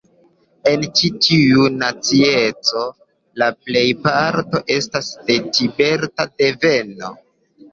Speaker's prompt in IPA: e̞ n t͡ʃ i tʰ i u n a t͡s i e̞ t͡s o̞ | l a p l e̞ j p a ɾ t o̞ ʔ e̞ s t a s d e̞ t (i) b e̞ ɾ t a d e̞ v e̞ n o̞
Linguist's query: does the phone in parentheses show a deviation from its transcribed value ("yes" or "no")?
no